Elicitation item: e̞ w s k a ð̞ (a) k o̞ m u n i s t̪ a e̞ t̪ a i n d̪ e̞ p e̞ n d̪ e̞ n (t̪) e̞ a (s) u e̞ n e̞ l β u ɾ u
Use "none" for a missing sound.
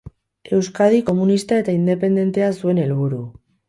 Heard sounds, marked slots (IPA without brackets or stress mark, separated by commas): i, t̪, s